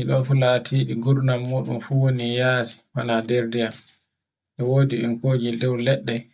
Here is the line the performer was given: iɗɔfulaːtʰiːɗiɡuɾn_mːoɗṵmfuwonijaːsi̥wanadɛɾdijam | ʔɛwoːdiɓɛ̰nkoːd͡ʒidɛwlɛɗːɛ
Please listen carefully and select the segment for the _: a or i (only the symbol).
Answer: a